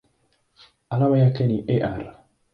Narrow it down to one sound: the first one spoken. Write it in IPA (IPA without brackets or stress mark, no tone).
a